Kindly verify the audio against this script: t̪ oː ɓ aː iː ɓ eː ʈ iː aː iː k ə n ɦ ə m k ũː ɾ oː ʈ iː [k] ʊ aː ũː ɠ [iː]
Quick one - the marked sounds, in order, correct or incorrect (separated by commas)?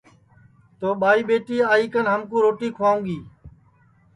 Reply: incorrect, correct